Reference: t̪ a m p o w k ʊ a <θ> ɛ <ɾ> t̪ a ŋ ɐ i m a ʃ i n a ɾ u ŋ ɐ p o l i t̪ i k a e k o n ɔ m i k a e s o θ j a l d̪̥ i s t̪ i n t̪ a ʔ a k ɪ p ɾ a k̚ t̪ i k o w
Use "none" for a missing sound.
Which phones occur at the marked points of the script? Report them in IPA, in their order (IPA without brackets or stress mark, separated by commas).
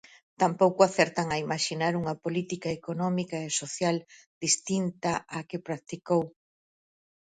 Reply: θ, ɾ